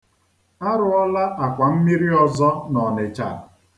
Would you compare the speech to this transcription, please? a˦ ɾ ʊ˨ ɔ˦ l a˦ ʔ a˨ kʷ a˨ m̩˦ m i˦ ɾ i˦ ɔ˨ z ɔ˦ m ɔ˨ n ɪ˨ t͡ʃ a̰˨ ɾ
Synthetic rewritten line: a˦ ɾ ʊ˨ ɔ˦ l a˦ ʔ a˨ kʷ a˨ m̩˦ m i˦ ɾ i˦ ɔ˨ z ɔ˦ n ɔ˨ n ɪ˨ t͡ʃ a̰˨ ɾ